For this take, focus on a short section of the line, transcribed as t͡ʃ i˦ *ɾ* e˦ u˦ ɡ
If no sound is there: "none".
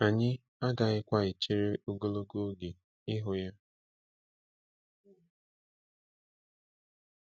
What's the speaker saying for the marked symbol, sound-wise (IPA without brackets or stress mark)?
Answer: ɾ